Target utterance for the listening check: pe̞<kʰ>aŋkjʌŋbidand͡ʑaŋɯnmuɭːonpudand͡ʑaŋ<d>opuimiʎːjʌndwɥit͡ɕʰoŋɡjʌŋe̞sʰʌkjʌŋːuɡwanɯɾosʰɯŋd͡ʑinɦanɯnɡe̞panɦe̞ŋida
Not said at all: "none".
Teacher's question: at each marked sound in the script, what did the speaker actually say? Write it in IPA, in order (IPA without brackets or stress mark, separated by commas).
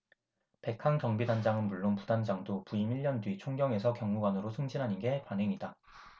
kʰ, d